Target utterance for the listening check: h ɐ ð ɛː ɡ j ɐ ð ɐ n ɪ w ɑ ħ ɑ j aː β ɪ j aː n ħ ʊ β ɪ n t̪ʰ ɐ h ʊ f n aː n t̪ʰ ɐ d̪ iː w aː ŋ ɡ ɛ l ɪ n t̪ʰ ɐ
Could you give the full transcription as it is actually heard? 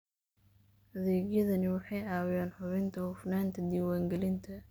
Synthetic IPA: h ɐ ð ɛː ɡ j ɐ ð ɐ n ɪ w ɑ ħ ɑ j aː w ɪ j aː n ħ ʊ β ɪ n t̪ʰ ɐ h ʊ f n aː n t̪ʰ ɐ d̪ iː w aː ŋ ɡ ɛ l ɪ n t̪ʰ ɐ